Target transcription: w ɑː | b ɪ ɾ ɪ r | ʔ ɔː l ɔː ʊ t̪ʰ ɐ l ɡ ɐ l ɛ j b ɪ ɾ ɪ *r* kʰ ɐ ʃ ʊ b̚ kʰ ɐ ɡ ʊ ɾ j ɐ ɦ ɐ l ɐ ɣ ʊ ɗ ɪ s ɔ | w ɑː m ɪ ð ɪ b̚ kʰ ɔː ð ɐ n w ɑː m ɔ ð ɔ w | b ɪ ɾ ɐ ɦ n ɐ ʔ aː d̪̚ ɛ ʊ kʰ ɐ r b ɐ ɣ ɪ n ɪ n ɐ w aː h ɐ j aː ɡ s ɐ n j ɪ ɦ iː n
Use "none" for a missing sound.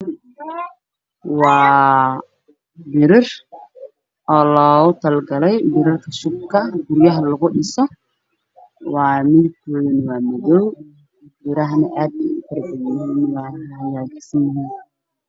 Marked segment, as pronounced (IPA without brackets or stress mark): r